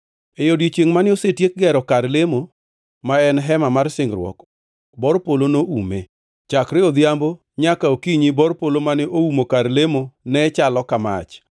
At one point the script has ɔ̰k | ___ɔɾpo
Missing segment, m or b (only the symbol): b